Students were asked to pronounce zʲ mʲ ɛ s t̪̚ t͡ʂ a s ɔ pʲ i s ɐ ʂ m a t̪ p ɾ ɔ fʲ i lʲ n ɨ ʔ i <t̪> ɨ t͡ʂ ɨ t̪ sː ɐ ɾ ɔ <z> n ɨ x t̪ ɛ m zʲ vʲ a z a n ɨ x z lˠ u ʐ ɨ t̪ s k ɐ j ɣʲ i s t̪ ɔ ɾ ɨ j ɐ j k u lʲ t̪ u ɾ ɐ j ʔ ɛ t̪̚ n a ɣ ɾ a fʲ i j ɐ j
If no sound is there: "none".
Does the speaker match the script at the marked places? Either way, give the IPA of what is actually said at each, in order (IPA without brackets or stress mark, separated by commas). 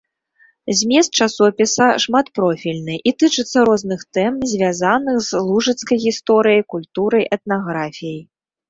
t̪, z